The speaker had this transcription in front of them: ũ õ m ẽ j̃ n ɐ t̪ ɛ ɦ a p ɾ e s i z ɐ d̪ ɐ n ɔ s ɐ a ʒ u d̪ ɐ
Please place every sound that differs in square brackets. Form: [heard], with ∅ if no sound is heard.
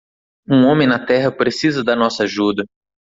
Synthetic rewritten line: ũ õ m ẽ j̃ n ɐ t̪ ɛ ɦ [ɐ] p ɾ e s i z ɐ d̪ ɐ n ɔ s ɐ a ʒ u d̪ ɐ

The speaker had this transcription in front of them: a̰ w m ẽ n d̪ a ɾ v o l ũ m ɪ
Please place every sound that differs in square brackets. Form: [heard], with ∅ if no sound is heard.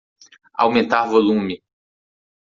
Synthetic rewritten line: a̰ w m ẽ n [t̪] a ɾ v o l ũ m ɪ

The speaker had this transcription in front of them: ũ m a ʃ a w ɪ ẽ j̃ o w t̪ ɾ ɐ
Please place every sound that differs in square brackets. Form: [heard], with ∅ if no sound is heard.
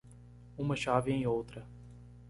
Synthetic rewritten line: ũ m [ɐ] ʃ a [v] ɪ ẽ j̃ o w t̪ ɾ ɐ

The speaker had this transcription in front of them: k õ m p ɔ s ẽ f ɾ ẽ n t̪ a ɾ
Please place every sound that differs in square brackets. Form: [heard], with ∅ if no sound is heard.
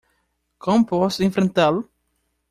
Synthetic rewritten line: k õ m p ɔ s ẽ f ɾ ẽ n t̪ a [l]

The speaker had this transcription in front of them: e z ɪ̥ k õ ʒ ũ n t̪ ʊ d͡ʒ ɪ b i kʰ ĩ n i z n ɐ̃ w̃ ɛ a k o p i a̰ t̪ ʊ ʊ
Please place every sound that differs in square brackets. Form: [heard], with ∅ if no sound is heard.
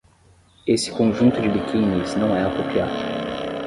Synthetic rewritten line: e [s] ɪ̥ k õ ʒ ũ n t̪ ʊ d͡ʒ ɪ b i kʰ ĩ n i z n ɐ̃ w̃ ɛ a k o p i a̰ [d̪] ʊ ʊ

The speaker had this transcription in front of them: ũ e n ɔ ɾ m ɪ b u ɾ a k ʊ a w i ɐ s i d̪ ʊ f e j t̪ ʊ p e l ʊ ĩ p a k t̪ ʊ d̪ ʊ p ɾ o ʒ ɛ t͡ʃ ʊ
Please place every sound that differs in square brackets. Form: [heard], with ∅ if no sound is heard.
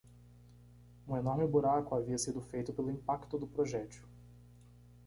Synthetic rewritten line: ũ e n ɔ ɾ m ɪ b u ɾ a k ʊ a [v] i ɐ s i d̪ ʊ f e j t̪ ʊ p e l ʊ ĩ p a k t̪ ʊ d̪ ʊ p ɾ o ʒ ɛ t͡ʃ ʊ

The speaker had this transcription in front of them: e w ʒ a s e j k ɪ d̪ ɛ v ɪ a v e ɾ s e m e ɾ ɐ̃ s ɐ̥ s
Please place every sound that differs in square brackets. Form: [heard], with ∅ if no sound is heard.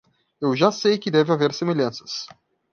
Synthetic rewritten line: e w ʒ a s e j k ɪ d̪ ɛ v ɪ a v e ɾ s e m e [ʎ] ɐ̃ s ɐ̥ s

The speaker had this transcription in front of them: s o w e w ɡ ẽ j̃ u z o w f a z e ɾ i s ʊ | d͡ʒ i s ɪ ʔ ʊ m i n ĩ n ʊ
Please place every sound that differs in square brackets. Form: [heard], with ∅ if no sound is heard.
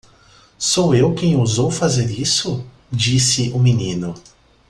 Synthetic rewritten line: s o w e w [k] ẽ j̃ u z o w f a z e ɾ i s ʊ | d͡ʒ i s ɪ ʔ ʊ m i n ĩ n ʊ

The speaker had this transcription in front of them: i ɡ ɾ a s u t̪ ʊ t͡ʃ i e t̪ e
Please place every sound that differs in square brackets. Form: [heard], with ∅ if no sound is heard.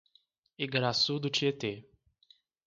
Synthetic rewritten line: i ɡ ɾ a s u [d̪] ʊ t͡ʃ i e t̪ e

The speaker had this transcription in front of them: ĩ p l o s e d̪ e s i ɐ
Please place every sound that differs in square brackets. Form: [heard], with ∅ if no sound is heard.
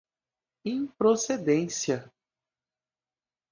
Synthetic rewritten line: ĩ p [ɾ] o s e d̪ [ẽ] s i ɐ

